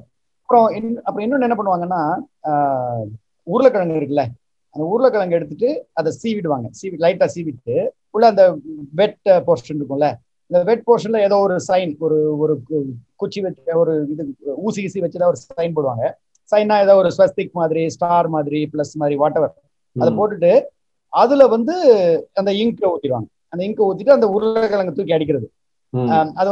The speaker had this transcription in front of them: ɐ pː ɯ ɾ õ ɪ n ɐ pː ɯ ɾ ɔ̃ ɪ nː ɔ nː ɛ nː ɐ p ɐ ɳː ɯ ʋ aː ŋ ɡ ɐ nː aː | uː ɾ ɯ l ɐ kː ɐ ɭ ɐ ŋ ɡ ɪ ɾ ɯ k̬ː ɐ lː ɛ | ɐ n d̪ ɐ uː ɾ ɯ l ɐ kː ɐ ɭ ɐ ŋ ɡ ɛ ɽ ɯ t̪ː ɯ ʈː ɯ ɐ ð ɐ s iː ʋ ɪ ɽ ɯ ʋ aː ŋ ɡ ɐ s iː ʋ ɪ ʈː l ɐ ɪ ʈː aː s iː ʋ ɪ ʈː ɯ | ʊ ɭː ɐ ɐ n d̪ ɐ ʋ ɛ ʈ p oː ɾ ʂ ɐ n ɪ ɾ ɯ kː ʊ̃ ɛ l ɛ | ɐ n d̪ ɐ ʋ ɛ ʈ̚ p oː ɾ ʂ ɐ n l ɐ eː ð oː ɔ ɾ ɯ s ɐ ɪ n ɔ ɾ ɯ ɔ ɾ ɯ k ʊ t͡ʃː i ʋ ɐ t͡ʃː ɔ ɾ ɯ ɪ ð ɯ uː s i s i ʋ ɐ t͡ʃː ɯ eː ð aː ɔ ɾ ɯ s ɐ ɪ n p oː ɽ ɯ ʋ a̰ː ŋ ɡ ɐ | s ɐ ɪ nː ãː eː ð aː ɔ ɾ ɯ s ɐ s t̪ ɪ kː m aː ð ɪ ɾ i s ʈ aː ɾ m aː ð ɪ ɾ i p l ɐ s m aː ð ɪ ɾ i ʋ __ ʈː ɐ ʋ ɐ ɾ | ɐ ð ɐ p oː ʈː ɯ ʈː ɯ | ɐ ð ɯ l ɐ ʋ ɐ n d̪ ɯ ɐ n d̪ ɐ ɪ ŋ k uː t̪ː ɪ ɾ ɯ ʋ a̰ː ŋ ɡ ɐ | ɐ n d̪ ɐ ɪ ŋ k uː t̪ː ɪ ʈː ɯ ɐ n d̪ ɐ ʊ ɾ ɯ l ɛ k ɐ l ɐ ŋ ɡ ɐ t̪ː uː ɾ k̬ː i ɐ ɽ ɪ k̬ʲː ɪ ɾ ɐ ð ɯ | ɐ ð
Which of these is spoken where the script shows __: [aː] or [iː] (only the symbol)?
aː